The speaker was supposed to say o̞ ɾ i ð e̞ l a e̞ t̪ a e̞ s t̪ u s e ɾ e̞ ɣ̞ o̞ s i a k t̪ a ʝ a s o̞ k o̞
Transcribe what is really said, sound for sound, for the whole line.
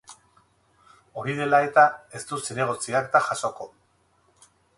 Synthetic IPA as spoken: o̞ ɾ i ð e̞ l a e̞ t̪ a e̞ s t̪ u s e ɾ e̞ ɣ̞ o̞ t͡s i a k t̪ a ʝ a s o̞ k o̞